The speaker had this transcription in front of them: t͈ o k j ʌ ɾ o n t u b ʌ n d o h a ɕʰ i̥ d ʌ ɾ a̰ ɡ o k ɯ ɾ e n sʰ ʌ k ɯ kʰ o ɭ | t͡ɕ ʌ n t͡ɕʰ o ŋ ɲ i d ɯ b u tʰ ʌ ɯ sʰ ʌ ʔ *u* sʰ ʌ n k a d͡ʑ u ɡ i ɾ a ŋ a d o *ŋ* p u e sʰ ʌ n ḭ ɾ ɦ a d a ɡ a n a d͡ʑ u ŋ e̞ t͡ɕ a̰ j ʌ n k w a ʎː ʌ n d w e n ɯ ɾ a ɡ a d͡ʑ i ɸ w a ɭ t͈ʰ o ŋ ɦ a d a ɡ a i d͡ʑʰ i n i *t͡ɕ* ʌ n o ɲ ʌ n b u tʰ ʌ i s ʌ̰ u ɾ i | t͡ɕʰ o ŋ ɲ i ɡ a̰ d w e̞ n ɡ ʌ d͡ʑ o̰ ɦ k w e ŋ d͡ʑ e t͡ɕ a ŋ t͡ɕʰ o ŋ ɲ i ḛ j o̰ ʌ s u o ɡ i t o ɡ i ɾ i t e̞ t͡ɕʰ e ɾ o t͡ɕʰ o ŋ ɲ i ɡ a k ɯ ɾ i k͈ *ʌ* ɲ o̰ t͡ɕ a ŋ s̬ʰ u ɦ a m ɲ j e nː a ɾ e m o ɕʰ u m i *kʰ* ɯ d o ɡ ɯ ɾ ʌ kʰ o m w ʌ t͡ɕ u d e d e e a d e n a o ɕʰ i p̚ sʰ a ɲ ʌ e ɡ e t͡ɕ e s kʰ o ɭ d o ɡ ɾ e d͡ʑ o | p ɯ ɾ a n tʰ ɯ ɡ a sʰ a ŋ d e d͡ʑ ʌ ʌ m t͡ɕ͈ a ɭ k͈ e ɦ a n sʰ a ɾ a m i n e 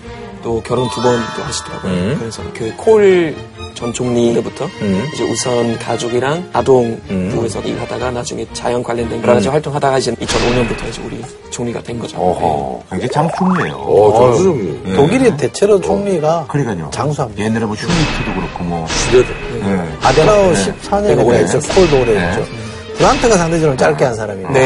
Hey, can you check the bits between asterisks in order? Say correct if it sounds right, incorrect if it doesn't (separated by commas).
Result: correct, correct, incorrect, incorrect, incorrect